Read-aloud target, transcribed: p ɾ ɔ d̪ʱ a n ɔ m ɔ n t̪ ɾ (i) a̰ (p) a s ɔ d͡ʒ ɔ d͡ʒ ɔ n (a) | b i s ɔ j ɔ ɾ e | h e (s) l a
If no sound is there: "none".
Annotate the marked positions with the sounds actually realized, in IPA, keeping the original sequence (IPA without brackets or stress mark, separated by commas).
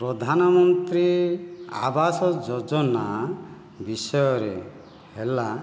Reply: i, b, a, none